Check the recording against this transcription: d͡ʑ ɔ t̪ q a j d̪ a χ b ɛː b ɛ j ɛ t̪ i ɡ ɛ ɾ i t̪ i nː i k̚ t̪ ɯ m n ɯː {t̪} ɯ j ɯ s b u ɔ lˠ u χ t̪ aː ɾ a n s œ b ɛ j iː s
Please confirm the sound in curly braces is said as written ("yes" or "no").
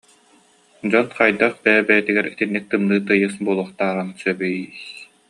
yes